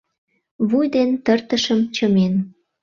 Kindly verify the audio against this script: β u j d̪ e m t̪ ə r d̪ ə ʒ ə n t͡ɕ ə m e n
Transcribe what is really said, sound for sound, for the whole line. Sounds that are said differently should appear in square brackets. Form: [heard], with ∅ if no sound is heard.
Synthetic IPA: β u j d̪ e [n] t̪ ə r [t̪] ə [ʃ] ə [m] t͡ɕ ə m e n